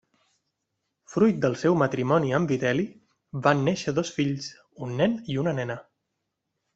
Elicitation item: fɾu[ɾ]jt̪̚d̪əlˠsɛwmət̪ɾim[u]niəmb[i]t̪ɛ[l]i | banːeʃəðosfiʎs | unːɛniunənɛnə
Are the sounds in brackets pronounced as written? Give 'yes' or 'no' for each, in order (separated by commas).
no, no, yes, yes